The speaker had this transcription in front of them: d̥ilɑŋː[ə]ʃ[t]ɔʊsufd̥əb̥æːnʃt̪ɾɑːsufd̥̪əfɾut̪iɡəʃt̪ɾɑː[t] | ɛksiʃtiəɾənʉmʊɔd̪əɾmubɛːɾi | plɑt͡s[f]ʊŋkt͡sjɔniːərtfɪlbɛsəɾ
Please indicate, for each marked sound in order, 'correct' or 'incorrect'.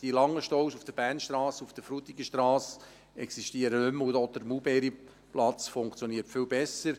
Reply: correct, correct, incorrect: s, correct

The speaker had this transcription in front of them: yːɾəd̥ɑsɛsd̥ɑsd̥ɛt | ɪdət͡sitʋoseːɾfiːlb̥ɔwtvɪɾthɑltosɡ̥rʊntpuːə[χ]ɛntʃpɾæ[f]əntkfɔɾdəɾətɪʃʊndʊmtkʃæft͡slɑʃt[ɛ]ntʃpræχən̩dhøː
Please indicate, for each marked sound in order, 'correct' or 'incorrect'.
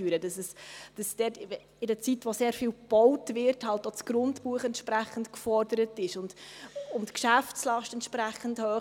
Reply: correct, incorrect: χ, correct

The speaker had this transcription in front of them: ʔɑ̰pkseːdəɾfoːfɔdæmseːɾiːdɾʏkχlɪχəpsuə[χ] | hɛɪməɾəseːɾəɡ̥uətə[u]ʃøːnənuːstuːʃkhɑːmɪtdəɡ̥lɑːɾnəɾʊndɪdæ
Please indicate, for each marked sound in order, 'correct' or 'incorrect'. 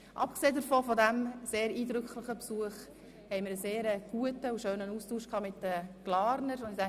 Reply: correct, correct

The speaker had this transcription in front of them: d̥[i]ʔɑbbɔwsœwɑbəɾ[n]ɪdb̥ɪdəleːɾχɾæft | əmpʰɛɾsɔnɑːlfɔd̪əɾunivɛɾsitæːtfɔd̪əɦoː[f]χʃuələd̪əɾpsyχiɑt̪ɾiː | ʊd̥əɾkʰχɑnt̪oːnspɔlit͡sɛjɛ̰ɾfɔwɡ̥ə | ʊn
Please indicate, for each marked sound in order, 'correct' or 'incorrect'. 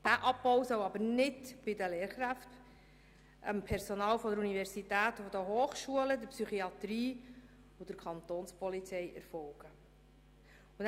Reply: incorrect: æ, correct, incorrect: none

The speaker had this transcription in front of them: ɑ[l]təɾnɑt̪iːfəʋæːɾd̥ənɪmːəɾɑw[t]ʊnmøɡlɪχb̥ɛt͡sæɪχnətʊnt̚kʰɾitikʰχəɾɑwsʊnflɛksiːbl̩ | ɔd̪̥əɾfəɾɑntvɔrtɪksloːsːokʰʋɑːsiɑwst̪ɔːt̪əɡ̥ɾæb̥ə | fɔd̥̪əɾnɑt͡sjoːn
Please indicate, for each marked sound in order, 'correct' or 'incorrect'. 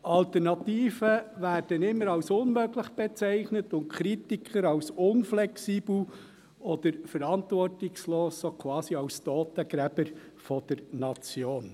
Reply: correct, incorrect: s

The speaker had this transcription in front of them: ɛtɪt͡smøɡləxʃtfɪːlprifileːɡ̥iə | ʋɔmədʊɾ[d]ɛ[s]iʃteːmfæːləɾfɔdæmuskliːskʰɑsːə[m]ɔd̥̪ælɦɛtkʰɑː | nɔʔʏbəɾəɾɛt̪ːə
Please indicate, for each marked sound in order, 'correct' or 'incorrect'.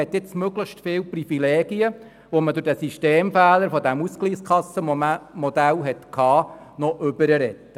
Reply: correct, correct, correct

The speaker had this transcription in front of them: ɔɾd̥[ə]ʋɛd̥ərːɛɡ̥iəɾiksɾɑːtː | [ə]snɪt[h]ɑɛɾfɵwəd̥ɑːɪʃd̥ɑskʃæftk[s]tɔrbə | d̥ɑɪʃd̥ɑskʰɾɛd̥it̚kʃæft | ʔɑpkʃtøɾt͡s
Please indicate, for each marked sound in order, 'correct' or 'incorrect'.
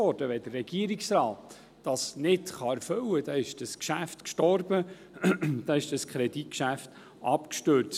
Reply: correct, incorrect: ɑ, incorrect: χ, incorrect: ʃ

